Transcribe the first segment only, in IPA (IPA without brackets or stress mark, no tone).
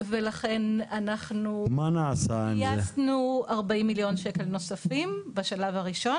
v